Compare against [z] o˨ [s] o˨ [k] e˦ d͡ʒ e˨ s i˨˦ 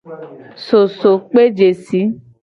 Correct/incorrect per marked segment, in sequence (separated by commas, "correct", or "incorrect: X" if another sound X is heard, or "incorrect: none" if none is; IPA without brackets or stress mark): incorrect: s, correct, incorrect: k͡p